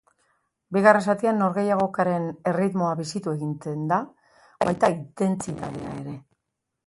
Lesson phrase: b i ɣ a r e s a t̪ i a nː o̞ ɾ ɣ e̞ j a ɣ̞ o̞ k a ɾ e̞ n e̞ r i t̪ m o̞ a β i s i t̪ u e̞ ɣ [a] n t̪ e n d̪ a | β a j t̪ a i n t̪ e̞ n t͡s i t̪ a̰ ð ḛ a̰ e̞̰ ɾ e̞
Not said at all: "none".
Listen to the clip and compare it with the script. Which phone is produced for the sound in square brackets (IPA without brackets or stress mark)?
i